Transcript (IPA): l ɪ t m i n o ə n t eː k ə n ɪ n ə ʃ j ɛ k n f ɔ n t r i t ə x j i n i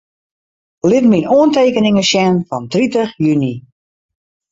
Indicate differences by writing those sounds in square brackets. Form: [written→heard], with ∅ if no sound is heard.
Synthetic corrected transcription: l ɪ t m i n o ə n t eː k ə n ɪ [n→ŋ] ə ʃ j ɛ [k→∅] n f ɔ n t r i t ə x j [i→y] n i